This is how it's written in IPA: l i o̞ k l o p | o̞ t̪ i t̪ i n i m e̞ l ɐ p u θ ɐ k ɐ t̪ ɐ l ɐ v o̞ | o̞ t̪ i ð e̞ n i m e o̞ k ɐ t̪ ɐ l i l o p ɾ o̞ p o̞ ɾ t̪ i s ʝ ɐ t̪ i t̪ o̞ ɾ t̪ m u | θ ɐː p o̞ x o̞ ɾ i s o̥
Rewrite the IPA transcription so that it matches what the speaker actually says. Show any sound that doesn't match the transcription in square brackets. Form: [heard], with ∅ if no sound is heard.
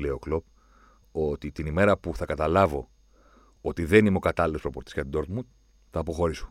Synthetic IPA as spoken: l [e] o̞ k l o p | o̞ t̪ i t̪ i n i m e̞ [ɾ] ɐ p u θ ɐ k ɐ t̪ ɐ l ɐ v o̞ | o̞ t̪ i ð e̞ n i m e o̞ k ɐ t̪ ɐ l i l o p ɾ o̞ p o̞ ɾ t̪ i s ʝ ɐ t̪ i [d̪] o̞ ɾ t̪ m u | θ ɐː p o̞ x o̞ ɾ i s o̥